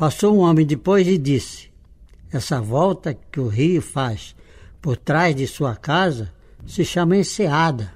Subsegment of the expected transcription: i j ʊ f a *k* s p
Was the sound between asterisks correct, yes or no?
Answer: no